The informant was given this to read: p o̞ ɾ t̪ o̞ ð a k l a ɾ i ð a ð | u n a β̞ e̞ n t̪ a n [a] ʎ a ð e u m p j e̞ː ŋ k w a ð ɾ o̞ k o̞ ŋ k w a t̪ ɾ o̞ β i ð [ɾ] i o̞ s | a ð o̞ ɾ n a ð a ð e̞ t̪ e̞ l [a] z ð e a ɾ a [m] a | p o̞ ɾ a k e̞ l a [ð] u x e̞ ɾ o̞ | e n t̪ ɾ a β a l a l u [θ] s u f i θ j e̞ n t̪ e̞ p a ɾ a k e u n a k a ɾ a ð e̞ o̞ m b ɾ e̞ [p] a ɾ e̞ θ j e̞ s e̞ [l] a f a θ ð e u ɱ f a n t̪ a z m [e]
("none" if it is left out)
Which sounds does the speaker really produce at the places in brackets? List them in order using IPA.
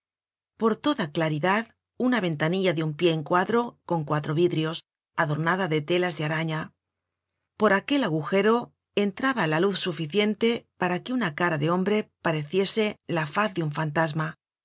i, ɾ, a, ɲ, ɣ, θ, p, l, a

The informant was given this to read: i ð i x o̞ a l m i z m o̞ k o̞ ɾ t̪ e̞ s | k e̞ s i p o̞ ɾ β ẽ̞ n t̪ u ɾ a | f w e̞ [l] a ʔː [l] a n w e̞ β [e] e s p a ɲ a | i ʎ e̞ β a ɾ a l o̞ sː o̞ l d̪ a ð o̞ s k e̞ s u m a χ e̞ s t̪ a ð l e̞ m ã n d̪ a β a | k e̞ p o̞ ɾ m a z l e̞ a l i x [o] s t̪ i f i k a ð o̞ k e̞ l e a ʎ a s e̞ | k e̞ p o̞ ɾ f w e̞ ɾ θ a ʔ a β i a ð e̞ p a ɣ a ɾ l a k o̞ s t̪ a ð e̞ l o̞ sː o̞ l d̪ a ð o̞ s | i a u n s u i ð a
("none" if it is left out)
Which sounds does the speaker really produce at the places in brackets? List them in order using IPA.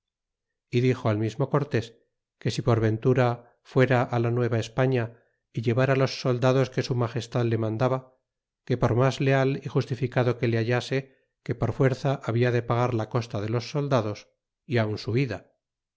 ɾ, l, a, u

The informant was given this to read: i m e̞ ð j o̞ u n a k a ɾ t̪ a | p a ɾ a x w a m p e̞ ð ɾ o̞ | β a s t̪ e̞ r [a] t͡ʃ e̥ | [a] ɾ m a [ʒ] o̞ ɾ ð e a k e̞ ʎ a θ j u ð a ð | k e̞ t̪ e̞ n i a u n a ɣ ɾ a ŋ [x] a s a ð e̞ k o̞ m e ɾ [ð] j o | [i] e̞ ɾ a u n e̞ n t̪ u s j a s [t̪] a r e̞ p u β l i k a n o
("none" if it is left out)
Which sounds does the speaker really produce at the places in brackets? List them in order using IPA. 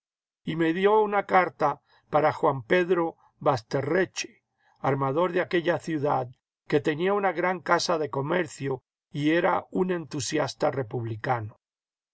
e, a, ð, k, θ, i, t̪

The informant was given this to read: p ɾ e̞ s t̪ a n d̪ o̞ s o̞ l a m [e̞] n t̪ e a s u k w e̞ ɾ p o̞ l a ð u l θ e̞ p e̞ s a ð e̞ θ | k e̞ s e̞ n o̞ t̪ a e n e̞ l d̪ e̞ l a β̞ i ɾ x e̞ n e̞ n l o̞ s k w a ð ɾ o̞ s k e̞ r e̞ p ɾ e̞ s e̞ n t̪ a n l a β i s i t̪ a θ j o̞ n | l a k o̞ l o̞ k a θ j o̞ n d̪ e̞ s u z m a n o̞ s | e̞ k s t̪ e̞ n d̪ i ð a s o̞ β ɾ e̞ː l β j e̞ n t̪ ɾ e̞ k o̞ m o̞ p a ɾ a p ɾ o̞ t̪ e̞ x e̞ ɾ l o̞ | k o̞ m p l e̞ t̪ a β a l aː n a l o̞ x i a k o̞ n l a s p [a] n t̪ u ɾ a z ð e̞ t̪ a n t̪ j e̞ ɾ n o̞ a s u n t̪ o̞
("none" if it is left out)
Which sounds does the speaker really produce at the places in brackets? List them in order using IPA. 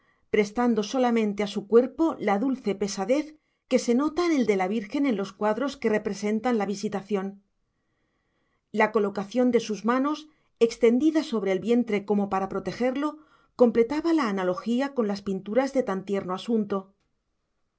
ẽ̞, i

